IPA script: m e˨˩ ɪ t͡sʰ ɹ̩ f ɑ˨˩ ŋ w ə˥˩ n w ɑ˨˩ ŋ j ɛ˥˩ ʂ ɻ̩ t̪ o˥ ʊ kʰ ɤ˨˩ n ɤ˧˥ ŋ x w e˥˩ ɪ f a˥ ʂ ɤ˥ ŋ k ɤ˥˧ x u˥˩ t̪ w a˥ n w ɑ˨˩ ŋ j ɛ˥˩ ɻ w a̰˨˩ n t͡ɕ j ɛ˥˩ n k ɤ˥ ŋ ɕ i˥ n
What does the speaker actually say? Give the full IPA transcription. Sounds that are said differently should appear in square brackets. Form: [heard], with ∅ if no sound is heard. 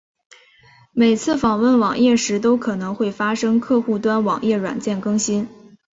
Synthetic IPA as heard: m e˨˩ ɪ t͡sʰ ɹ̩ f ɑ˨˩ ŋ w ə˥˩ n w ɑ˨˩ ŋ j ɛ˥˩ ʂ ɻ̩ t̪ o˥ ʊ kʰ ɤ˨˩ n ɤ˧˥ ŋ x w e˥˩ ɪ f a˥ ʂ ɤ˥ ŋ [kʰ] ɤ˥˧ x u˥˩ t̪ w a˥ n w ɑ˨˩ ŋ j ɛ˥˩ ɻ w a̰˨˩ n t͡ɕ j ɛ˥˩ n k ɤ˥ ŋ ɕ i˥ n